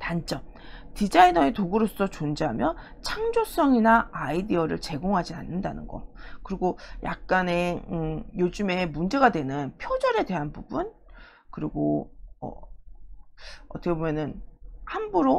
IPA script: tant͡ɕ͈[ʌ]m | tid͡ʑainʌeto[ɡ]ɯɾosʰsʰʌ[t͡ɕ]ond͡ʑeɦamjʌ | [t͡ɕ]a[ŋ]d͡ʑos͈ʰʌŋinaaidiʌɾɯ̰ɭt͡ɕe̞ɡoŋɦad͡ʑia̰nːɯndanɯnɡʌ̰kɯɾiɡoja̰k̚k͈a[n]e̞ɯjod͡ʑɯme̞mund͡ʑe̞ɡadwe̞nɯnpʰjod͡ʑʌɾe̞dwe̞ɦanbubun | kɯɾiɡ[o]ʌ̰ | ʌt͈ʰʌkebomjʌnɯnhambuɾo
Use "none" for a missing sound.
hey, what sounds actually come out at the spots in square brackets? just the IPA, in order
ʌ, ɡ, t͡ɕ, t͡ɕʰ, ŋ, n, o

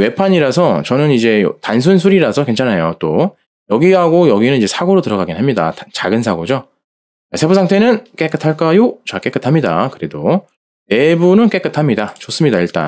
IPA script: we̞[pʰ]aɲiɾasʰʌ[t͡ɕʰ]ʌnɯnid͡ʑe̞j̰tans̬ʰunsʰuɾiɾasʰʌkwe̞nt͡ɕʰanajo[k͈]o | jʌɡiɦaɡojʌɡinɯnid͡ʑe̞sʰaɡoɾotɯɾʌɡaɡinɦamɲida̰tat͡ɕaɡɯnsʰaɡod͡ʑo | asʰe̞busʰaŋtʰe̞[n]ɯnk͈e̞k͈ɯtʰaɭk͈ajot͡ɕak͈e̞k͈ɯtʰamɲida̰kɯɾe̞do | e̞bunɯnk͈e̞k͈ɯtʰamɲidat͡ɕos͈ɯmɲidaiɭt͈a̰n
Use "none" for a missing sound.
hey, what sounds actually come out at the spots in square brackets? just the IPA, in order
pʰ, t͡ɕ, t͈, n

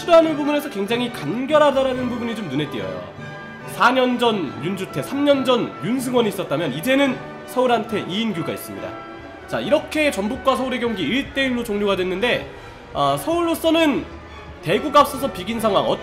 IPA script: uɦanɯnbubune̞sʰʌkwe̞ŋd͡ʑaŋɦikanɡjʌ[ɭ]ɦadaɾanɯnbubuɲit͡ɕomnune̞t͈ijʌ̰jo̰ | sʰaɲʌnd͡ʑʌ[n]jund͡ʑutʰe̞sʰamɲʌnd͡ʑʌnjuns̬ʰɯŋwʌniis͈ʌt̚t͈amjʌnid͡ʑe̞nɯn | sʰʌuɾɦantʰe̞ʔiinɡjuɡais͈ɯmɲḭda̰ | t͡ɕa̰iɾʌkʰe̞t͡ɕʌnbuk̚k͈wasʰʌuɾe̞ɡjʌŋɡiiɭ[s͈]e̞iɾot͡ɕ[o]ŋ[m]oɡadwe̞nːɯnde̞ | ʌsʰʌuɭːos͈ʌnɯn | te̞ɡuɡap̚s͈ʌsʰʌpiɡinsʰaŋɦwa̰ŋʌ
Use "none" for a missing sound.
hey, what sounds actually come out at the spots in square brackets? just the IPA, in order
ɾ, n, t͈, o, ɲ

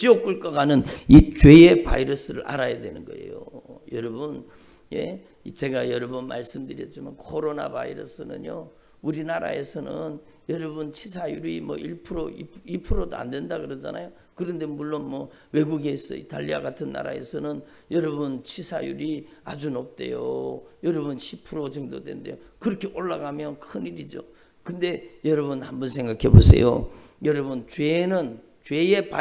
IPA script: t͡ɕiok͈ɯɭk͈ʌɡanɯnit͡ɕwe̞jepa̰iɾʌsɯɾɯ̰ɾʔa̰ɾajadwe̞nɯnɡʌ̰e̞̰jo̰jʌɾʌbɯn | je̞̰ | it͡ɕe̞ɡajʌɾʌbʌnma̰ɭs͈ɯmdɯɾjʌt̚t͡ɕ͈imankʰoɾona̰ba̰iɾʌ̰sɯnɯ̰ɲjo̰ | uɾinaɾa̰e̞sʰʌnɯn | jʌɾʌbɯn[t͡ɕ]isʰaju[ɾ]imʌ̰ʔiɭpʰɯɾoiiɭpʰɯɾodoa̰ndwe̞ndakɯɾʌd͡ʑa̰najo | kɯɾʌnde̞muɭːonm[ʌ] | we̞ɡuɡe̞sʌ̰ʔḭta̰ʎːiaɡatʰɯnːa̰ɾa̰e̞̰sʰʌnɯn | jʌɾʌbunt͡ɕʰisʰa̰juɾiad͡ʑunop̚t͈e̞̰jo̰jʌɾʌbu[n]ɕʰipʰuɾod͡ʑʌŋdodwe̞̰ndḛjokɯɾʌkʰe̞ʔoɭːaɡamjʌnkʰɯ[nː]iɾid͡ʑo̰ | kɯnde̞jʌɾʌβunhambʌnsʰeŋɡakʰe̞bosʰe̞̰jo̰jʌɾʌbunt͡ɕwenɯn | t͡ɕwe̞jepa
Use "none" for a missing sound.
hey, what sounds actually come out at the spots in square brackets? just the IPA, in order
t͡ɕʰ, ɾ, ʌ, n, n

